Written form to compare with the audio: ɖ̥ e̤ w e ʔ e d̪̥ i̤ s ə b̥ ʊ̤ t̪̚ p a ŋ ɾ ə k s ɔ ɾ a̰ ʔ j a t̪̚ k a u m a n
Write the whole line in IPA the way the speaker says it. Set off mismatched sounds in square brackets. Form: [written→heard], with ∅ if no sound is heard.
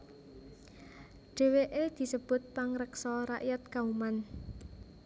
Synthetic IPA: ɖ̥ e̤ w e ʔ e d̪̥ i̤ s ə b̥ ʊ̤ t̪̚ p a ŋ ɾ ə k s ɔ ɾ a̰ ʔ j a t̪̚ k a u m a n